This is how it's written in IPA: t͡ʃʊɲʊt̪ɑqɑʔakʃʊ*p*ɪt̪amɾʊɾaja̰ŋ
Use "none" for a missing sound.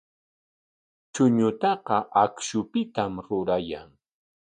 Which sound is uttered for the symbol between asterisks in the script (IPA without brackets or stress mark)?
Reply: p